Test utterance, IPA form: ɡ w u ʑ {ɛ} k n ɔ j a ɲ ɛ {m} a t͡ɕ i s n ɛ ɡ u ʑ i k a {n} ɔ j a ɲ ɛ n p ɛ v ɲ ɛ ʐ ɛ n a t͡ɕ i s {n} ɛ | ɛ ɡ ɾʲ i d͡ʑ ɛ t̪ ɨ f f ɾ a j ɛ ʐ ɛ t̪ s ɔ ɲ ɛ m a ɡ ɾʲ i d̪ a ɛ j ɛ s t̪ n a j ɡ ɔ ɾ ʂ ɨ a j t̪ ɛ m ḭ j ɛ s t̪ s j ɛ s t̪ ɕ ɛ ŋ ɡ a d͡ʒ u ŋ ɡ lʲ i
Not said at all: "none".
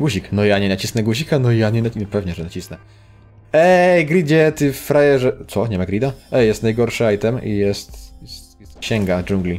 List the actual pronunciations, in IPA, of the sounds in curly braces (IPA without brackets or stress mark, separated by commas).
i, n, n, n